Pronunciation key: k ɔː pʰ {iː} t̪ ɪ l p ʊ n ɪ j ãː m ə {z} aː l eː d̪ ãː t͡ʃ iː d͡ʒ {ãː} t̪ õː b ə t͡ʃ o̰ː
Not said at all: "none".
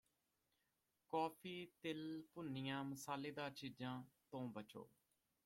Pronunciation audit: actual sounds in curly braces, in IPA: iː, s, ãː

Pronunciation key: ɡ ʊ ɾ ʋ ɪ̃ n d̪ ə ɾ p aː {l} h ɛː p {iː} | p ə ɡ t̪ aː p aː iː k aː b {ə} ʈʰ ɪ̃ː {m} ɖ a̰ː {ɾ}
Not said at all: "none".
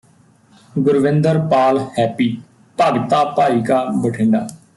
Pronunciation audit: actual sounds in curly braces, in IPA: l, iː, ə, ɳ, none

